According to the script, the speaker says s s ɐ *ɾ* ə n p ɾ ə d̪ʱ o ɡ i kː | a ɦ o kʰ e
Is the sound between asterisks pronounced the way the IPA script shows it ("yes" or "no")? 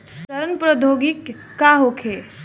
yes